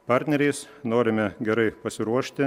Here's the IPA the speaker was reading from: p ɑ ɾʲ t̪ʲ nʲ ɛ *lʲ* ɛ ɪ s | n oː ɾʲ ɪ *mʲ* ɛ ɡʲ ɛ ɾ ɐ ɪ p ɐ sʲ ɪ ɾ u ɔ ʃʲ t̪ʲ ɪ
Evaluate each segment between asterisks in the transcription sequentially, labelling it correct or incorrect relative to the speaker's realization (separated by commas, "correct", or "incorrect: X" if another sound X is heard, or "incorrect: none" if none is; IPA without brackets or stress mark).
incorrect: ɾʲ, correct